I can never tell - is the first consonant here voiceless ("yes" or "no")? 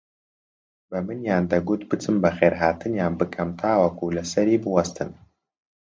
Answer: no